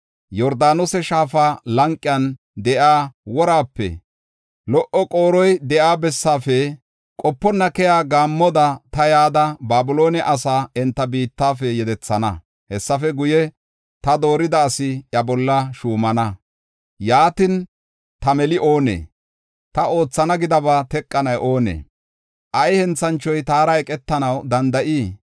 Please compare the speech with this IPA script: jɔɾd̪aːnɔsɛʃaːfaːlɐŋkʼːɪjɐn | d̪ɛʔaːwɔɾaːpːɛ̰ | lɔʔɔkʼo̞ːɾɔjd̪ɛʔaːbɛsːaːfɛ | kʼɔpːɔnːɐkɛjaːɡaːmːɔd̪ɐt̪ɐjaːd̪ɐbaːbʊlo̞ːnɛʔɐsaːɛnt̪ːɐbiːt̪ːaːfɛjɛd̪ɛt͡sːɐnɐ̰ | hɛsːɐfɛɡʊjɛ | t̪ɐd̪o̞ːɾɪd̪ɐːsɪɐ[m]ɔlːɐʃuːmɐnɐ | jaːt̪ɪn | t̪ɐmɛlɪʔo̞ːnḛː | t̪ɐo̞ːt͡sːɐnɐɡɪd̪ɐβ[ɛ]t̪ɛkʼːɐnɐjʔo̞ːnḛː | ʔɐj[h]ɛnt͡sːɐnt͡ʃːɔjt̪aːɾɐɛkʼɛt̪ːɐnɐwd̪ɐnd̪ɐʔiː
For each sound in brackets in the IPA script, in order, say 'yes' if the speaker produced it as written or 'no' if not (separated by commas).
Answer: no, no, yes